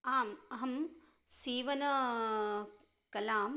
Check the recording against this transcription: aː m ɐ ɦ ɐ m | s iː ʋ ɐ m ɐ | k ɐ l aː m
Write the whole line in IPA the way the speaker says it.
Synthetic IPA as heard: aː m ɐ ɦ ɐ m | s iː ʋ ɐ n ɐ | k ɐ l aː m